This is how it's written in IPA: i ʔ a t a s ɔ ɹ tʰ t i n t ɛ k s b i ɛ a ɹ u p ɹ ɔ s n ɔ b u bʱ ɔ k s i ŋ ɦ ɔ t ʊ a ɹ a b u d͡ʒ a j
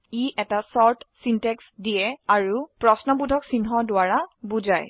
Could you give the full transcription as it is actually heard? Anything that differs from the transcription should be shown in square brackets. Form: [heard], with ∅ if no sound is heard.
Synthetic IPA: i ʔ [ɛ] t a s ɔ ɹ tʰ [s] i n t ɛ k s [d] i ɛ a ɹ u p ɹ ɔ s n ɔ b u [dʱ] ɔ k s i [n] ɦ ɔ [d] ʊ a ɹ a b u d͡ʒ a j